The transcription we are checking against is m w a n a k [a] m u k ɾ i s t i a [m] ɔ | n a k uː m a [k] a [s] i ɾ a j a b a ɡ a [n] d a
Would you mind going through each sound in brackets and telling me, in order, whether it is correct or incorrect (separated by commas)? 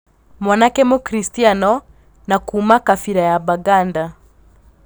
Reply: incorrect, incorrect, correct, incorrect, correct